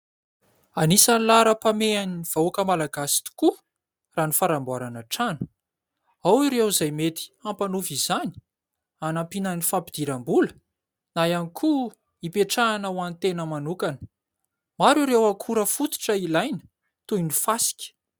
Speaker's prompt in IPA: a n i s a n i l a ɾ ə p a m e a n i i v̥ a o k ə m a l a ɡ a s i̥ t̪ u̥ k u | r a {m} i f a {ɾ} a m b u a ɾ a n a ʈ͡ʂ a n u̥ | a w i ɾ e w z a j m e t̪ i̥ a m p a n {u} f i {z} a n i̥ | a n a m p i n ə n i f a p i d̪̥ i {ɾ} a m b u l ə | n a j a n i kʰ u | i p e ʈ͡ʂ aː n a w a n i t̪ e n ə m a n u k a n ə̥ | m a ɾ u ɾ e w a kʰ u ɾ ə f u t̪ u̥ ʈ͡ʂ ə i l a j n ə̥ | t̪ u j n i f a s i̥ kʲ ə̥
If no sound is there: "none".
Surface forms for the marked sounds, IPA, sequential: n, ɾ, u, z, ɾ

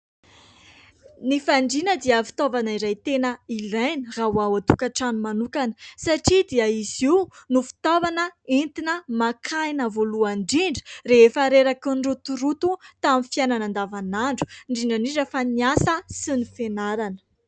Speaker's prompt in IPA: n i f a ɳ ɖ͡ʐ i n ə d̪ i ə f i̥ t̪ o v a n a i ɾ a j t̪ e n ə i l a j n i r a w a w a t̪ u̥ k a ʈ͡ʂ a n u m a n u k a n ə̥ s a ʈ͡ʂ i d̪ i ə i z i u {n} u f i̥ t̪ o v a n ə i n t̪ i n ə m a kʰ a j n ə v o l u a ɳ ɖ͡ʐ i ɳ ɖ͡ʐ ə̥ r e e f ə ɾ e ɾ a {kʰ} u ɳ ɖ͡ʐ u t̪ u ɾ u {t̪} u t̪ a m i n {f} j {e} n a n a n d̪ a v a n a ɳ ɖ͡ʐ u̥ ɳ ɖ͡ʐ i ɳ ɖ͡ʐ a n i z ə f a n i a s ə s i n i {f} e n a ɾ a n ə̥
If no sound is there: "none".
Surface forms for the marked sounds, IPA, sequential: n, k, t̪, f, a, f

